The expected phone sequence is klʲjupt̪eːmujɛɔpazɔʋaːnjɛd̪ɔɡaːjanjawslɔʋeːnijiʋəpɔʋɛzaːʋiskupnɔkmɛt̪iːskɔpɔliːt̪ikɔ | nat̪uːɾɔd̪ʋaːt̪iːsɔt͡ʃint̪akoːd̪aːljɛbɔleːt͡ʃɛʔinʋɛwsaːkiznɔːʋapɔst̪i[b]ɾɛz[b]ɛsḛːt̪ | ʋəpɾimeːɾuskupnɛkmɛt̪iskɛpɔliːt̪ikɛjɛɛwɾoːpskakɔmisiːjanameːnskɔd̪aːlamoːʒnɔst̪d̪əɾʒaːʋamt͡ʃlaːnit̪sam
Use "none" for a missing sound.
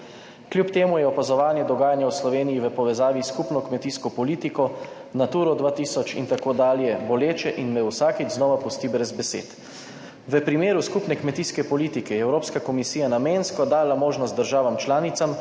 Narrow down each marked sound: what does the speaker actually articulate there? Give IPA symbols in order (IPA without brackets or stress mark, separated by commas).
b, b